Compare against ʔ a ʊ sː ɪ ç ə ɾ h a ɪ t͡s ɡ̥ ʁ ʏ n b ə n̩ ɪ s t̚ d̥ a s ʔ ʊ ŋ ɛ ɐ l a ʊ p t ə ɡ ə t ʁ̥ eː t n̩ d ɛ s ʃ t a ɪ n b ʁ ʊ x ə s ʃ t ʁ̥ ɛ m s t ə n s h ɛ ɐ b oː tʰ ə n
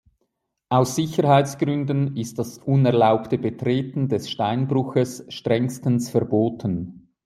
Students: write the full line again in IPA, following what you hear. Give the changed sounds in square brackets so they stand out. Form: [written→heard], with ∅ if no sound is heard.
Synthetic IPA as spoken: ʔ a ʊ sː ɪ ç ə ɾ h a ɪ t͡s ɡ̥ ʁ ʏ n [b→d] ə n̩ ɪ s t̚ d̥ a s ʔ ʊ [ŋ→n] ɛ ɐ l a ʊ p t ə [ɡ→b] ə t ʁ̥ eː t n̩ d ɛ s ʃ t a ɪ n b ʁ ʊ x ə s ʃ t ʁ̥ ɛ [m→ŋ] s t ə n s [h→f] ɛ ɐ b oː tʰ ə n